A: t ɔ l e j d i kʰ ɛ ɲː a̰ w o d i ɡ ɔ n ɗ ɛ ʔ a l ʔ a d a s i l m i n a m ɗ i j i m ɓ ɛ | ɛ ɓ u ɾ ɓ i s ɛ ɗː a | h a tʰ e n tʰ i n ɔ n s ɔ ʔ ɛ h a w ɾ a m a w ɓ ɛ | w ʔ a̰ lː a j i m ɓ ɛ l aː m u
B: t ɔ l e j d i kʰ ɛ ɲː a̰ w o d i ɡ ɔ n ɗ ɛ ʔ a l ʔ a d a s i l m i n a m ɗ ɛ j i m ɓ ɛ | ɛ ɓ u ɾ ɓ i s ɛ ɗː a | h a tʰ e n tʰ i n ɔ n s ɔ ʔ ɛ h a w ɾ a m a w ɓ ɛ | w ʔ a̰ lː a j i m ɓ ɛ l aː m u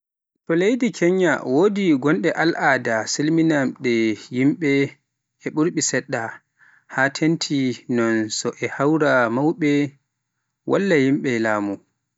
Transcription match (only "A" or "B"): B